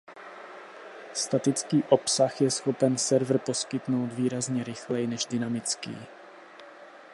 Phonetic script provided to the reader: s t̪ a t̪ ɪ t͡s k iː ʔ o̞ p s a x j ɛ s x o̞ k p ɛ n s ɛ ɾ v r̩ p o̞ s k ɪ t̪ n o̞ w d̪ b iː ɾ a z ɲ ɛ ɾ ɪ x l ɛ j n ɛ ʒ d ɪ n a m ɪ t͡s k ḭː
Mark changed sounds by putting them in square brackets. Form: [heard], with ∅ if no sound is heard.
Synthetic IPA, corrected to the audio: s t̪ a t̪ ɪ t͡s k iː ʔ o̞ p s a x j ɛ s x o̞ [∅] p ɛ n s ɛ ɾ v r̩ p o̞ s k ɪ t̪ n o̞ w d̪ [v] iː ɾ a z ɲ ɛ ɾ ɪ x l ɛ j n ɛ ʒ d ɪ n a m ɪ t͡s k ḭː